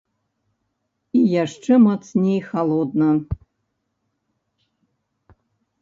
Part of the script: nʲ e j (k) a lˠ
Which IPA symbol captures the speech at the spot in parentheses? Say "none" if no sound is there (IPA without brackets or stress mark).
x